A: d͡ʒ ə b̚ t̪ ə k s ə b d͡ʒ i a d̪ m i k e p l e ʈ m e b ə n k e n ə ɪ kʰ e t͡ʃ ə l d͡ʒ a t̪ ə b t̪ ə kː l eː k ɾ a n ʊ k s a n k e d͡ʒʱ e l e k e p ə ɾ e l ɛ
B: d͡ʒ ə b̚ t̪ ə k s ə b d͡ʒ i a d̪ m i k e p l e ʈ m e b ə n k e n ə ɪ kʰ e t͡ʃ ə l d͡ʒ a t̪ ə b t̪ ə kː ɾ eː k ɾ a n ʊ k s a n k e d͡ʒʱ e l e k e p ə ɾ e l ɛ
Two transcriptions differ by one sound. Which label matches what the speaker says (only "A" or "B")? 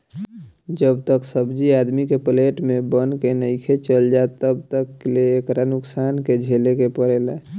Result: A